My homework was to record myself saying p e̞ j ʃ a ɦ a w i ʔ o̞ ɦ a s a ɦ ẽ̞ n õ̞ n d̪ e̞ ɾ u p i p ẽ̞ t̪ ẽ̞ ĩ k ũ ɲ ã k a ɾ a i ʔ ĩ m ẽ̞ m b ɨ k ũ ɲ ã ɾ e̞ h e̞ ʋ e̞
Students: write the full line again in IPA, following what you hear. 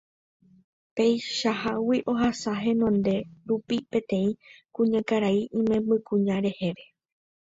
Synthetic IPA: p e̞ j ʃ a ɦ a w i ʔ o̞ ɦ a s a ɦ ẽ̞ n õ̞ n d̪ e̞ ɾ u p i p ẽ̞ t̪ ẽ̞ ĩ k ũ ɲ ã k a ɾ a i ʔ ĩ m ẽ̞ m b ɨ k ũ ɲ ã ɾ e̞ h e̞ ʋ e̞

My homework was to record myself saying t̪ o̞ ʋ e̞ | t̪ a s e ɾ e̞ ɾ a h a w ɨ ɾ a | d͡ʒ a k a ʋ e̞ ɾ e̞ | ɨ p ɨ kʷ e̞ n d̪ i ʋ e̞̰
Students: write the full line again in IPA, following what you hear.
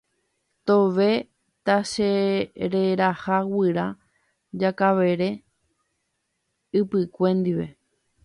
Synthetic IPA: t̪ o̞ ʋ e̞ | t̪ a ʃ e ɾ e̞ ɾ a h a w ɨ ɾ a | d͡ʒ a k a ʋ e̞ ɾ e̞ | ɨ p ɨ kʷ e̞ n d̪ i ʋ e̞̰

